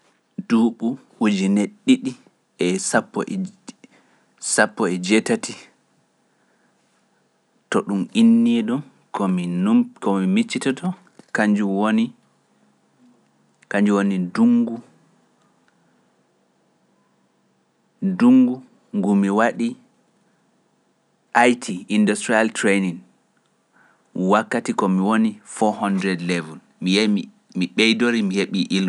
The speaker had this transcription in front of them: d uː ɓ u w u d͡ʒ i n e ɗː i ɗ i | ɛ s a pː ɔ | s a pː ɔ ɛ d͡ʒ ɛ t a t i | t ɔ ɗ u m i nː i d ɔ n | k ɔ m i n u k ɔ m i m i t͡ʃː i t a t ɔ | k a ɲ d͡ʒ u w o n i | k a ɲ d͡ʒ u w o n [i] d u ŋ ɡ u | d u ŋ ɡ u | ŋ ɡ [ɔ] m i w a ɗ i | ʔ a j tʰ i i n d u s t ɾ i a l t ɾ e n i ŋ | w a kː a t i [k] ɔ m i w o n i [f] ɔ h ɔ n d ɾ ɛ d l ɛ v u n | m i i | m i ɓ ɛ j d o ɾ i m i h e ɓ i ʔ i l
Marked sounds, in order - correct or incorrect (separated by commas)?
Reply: correct, incorrect, correct, correct